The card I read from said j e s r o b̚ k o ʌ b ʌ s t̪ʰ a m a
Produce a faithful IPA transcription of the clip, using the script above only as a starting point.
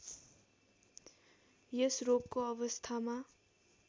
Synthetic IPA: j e s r o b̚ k o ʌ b ʌ s t̪ʰ a m a